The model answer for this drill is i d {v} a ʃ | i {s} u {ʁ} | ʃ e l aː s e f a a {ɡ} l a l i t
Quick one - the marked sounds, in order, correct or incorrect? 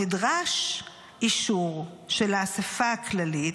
incorrect: ʁ, incorrect: ʃ, correct, incorrect: k

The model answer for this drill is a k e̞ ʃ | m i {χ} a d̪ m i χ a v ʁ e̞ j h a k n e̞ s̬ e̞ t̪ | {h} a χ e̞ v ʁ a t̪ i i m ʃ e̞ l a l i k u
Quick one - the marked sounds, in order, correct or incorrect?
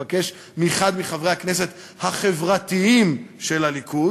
correct, correct

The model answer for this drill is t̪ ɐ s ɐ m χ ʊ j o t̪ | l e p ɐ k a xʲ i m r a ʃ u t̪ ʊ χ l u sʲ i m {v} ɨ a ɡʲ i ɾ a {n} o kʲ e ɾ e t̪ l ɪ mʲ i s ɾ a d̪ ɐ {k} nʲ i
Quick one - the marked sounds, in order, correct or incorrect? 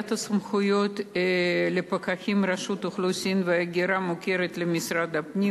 correct, incorrect: m, incorrect: p

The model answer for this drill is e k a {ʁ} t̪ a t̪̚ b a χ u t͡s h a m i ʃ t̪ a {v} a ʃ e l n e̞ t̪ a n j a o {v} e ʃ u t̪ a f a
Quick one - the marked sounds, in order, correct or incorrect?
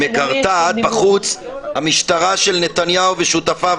correct, incorrect: ʁ, correct

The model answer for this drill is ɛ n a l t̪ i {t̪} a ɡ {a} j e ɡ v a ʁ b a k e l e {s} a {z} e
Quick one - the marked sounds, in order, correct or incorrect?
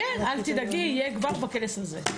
incorrect: d̪, incorrect: i, correct, correct

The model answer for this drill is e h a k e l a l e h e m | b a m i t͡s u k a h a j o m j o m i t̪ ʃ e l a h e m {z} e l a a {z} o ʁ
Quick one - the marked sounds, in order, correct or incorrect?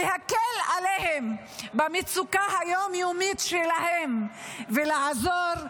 incorrect: v, correct

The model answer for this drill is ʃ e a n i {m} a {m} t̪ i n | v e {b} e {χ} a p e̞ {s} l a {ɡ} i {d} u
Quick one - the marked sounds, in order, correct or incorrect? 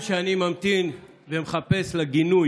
correct, correct, incorrect: m, correct, correct, correct, incorrect: n

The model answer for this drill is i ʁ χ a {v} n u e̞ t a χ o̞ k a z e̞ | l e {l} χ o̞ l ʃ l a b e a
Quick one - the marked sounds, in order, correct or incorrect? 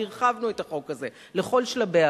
correct, incorrect: none

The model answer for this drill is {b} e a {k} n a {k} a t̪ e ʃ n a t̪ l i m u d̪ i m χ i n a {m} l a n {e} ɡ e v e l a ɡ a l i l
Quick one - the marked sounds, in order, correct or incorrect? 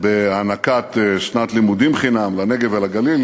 correct, incorrect: none, correct, correct, correct

